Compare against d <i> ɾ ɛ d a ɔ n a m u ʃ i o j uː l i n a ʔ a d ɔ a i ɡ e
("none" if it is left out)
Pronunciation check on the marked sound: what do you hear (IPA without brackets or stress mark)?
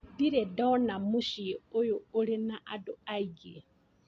i